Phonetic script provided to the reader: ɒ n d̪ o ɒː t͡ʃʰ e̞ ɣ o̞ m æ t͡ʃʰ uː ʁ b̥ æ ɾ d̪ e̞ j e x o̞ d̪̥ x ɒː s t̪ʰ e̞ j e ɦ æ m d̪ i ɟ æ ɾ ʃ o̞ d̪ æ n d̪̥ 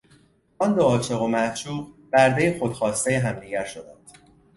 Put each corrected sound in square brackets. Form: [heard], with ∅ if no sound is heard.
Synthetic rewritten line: ɒ n d̪ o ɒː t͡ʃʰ e̞ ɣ o̞ m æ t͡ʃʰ uː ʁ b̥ æ ɾ d̪ e̞ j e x o̞ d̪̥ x ɒː s [t̪] e̞ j e ɦ æ m d̪ i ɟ æ ɾ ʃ o̞ d̪ æ n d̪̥